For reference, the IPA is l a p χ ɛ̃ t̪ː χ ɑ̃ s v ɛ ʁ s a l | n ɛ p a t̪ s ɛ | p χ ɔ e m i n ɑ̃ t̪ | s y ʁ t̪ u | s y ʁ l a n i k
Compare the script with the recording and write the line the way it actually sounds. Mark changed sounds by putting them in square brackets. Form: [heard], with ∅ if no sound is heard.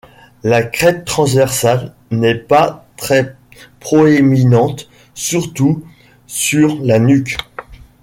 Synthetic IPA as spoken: l a [k] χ [ɛ] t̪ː χ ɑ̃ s v ɛ ʁ s a l | n ɛ p a t̪ [χ] ɛ | p χ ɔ e m i n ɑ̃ t̪ | s y ʁ t̪ u | s y ʁ l a n [y] k